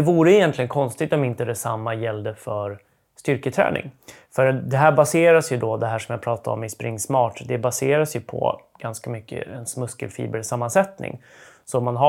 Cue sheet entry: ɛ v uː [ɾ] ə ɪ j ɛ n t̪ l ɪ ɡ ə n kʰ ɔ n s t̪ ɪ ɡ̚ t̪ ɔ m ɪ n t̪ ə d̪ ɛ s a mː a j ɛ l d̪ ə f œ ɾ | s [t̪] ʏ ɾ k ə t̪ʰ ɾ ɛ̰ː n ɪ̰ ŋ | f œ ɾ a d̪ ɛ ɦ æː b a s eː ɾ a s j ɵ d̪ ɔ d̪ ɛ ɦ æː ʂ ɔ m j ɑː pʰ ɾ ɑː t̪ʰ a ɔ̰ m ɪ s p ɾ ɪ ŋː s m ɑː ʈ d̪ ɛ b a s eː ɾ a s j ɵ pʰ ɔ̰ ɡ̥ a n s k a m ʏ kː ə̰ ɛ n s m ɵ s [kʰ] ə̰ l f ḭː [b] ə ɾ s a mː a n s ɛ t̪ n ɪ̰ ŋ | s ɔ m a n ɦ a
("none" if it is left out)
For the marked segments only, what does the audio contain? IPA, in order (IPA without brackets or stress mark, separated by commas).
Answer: ɾ, t̪, k, b